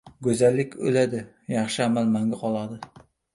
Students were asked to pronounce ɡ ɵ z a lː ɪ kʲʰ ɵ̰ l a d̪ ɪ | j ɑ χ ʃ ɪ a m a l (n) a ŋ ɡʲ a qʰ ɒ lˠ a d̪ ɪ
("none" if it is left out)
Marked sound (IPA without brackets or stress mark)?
m